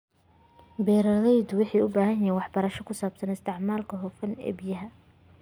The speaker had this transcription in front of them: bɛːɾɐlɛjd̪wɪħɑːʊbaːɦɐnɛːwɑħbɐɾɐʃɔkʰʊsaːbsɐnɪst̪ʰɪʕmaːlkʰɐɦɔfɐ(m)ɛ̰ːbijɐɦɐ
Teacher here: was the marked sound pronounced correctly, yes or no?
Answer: no